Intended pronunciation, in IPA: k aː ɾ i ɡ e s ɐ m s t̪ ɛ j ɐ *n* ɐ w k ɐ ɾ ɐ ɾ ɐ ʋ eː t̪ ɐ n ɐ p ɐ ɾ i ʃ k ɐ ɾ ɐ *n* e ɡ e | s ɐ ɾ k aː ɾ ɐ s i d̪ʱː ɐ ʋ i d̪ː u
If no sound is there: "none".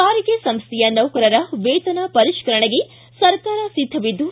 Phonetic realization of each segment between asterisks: n, ɳ

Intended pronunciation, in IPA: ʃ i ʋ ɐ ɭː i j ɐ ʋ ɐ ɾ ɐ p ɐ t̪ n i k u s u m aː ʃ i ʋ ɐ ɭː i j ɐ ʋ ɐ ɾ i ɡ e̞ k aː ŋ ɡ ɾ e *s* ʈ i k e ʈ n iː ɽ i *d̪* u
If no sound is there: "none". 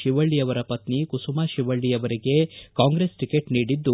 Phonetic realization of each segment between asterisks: s, d̪ː

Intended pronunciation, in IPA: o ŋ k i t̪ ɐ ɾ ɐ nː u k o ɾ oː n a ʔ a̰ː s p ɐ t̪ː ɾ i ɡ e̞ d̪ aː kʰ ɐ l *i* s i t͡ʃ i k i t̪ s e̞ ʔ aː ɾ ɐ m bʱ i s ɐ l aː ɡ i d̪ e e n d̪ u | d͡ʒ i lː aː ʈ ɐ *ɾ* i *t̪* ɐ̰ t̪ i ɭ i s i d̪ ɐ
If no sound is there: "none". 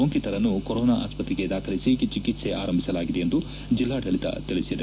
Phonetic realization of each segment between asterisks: i, ɭ, t̪

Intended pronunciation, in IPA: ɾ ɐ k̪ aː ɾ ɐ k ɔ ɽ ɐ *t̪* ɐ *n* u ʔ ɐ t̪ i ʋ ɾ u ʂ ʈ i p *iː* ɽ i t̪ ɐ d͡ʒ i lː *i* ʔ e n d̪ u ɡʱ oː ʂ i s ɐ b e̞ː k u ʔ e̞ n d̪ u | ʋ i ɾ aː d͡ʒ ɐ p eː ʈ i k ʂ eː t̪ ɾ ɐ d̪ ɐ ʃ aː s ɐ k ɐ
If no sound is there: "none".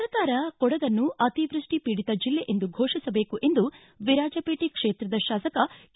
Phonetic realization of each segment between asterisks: d̪, nː, iː, e

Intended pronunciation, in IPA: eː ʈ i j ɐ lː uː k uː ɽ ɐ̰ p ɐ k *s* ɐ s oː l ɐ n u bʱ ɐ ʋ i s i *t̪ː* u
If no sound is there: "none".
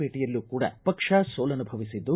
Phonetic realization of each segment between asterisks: ʂ, d̪ː

